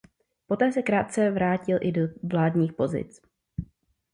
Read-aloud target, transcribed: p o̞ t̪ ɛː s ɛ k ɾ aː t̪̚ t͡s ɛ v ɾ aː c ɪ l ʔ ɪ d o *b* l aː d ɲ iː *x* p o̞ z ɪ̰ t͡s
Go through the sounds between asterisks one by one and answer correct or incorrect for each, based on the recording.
incorrect, correct

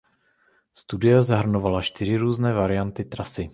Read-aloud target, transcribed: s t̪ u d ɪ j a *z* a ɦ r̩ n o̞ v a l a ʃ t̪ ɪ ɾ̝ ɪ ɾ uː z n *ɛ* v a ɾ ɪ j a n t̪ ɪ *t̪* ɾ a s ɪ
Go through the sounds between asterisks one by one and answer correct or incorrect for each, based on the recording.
correct, incorrect, correct

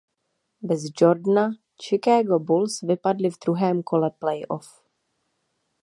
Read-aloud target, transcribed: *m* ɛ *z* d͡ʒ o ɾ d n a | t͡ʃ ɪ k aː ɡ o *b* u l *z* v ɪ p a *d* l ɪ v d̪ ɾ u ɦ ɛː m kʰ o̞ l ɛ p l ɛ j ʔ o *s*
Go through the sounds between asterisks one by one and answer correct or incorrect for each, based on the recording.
incorrect, correct, correct, incorrect, correct, incorrect

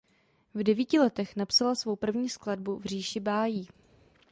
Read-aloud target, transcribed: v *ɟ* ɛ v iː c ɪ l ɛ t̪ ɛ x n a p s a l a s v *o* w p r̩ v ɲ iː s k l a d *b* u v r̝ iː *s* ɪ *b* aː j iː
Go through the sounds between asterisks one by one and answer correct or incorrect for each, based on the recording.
incorrect, correct, correct, incorrect, correct

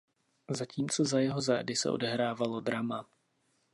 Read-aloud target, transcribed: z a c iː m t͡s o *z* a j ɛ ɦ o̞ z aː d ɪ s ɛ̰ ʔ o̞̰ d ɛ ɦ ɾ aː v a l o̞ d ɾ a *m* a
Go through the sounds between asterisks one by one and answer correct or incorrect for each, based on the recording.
correct, correct

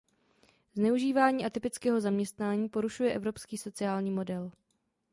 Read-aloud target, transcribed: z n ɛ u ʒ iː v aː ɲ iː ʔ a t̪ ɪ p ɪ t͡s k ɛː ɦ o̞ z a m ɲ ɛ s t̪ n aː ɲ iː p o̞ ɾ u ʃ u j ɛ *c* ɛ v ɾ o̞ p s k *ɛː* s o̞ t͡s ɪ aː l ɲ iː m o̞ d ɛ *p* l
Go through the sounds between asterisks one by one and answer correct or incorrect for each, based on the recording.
incorrect, incorrect, incorrect

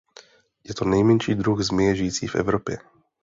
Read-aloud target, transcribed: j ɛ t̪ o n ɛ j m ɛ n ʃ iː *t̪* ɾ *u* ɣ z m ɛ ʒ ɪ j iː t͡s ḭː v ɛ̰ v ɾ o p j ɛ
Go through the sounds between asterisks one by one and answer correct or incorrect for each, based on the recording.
incorrect, correct

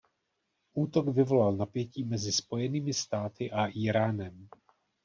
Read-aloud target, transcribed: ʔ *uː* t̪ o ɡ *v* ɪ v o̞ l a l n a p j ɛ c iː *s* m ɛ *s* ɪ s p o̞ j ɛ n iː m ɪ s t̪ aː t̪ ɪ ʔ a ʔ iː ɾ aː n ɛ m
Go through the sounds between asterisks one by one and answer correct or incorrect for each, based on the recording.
correct, correct, incorrect, incorrect

